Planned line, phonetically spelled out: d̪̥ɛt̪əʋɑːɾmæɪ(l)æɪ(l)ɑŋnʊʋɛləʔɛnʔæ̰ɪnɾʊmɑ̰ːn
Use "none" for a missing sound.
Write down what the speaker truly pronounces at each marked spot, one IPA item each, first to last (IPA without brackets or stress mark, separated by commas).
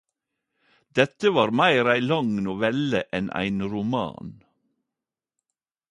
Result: ɾ, l